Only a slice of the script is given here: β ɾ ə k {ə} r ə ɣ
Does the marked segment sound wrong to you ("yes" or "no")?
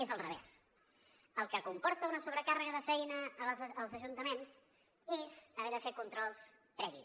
yes